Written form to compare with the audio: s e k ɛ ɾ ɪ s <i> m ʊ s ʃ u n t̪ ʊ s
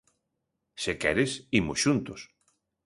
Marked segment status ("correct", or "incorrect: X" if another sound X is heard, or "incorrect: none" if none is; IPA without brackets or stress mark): correct